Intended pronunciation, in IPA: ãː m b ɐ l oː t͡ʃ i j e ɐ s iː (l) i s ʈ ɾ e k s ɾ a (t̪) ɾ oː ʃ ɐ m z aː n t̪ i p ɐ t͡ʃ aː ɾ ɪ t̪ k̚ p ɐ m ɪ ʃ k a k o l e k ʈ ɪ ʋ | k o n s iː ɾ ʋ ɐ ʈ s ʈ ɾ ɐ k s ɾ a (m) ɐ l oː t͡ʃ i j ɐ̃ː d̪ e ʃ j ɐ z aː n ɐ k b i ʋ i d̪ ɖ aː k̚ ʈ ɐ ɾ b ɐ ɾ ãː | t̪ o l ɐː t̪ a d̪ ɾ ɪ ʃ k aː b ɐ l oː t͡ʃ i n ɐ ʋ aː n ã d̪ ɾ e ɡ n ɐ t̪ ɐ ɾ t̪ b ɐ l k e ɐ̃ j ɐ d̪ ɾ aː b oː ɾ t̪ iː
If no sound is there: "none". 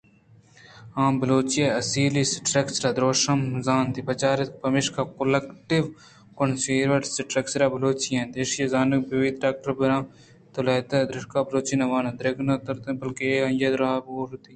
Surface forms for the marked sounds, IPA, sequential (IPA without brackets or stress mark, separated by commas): l, d̪, b